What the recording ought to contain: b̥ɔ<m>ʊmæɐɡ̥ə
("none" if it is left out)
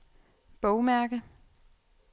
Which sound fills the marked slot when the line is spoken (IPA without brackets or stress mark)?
none